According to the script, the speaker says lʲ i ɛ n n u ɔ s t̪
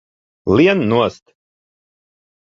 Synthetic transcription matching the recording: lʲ i ɛ n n u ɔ s t̪